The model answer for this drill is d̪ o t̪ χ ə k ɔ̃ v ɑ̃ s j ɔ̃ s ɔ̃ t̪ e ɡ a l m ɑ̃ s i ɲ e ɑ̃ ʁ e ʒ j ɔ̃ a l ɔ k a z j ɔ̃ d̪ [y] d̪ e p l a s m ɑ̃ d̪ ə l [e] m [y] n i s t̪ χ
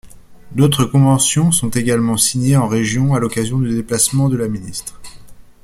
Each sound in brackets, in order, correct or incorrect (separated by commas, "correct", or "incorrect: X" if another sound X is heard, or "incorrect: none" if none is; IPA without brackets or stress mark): correct, incorrect: a, incorrect: i